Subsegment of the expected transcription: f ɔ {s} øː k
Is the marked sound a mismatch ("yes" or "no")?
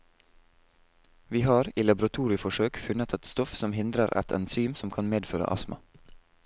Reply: yes